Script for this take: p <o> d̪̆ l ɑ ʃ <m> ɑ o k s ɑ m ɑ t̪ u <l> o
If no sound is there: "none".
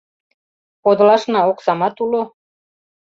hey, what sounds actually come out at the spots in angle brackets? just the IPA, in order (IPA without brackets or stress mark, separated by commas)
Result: o, n, l